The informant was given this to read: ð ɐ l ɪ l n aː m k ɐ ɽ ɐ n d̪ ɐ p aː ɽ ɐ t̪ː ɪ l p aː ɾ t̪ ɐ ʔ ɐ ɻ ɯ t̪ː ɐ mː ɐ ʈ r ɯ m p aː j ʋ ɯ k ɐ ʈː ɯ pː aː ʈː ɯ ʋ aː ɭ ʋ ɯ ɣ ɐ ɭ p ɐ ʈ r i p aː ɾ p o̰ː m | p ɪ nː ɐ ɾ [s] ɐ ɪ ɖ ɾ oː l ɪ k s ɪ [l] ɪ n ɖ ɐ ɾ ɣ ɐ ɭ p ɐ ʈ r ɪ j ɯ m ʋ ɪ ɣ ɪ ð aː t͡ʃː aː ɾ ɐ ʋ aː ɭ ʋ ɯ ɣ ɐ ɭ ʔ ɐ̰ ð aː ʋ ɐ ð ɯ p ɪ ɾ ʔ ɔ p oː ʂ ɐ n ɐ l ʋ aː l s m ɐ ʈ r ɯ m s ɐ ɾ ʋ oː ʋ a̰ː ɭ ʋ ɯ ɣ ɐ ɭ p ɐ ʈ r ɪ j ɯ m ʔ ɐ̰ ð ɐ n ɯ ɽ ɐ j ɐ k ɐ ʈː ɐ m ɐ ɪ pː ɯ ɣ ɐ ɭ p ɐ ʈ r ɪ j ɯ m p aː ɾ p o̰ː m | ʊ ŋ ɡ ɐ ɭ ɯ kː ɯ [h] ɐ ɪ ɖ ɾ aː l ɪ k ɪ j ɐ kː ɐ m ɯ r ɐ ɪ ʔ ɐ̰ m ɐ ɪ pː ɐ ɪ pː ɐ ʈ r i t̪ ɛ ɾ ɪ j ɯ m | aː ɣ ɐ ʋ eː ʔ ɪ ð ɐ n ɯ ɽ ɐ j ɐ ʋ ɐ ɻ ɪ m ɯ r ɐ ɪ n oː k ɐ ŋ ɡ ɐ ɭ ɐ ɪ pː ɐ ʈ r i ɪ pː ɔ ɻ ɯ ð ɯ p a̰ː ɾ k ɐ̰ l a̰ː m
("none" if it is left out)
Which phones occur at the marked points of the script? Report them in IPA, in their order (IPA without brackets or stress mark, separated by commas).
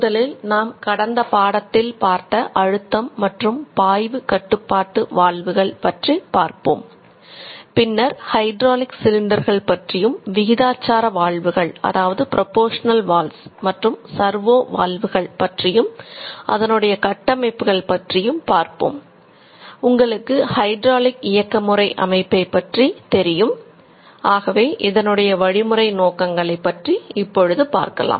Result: h, l, h